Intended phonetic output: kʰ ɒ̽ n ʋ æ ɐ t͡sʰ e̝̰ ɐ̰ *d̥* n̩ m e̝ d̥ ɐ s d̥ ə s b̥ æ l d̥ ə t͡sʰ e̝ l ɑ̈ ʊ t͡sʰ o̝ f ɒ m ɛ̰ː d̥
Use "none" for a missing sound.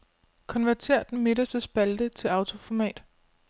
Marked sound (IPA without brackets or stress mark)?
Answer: d̥